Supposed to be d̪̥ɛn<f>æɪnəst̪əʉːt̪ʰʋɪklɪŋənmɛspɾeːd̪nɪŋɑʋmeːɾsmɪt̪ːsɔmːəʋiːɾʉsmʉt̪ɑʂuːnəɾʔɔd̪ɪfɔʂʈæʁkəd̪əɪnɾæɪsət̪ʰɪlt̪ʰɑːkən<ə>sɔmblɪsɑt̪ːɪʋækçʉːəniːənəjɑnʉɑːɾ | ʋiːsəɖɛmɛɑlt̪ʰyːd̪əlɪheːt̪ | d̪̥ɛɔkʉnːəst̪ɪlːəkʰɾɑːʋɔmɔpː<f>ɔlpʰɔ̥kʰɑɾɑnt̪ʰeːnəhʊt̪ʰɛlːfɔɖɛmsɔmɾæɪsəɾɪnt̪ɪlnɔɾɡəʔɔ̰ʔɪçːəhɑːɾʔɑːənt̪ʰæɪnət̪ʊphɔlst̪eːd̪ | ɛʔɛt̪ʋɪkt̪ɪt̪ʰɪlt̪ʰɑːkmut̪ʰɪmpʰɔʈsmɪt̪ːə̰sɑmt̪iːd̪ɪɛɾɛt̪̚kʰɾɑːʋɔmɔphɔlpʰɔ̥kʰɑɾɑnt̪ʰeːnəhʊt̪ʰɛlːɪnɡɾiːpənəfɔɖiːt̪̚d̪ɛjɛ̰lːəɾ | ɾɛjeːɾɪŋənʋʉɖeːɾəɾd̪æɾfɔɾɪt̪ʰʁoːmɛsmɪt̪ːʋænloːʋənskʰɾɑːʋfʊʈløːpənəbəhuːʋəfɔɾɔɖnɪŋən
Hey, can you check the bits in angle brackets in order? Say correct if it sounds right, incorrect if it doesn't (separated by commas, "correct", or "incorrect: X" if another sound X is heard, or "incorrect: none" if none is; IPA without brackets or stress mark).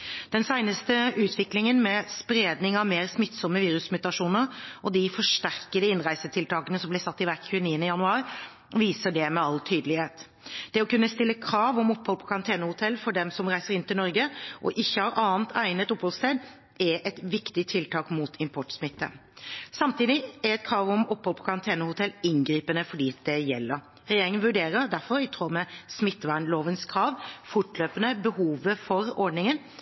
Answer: incorrect: s, correct, incorrect: h